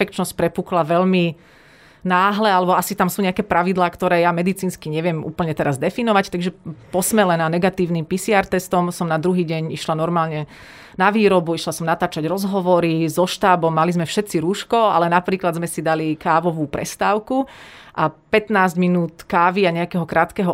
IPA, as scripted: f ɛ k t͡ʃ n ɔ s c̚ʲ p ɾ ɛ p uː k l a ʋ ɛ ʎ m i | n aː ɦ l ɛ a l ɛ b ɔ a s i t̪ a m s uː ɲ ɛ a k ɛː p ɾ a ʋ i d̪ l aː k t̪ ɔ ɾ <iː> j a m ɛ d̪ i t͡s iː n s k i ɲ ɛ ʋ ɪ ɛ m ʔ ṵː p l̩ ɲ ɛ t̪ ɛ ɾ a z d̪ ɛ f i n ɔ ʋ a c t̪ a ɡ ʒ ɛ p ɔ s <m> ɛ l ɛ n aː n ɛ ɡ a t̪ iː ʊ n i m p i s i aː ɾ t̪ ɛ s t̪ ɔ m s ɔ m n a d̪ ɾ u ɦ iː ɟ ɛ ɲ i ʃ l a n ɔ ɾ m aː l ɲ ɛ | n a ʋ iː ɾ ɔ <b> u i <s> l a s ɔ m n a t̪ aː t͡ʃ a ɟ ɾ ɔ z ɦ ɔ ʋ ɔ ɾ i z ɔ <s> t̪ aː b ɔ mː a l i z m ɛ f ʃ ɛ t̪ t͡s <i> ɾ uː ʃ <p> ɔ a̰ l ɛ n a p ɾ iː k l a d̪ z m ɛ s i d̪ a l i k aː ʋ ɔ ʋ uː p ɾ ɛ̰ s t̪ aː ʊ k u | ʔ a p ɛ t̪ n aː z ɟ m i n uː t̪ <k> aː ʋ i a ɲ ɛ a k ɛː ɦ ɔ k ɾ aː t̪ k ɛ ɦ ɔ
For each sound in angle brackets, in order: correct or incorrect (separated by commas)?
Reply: incorrect, correct, correct, incorrect, incorrect, correct, incorrect, correct